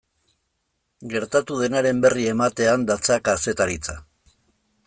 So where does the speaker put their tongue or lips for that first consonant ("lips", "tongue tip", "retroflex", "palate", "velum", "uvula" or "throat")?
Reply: velum